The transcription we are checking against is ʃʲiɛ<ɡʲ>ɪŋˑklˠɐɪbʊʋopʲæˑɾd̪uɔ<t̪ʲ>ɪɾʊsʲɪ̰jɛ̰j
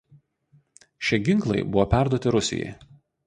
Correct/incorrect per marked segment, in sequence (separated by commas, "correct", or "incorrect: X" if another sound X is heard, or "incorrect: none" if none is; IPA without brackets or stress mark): correct, correct